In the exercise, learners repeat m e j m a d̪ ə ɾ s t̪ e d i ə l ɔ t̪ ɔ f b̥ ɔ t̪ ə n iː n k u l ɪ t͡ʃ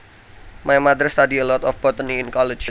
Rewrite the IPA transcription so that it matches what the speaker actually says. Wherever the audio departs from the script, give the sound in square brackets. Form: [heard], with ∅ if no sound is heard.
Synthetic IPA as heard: m [a] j m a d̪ ə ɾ s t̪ [a] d i ə l ɔ t̪ ɔ f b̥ ɔ t̪ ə n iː n k [ɔ] l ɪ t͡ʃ